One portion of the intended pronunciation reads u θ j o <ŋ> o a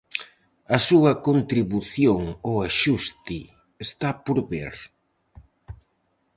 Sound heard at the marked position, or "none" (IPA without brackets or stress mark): ŋ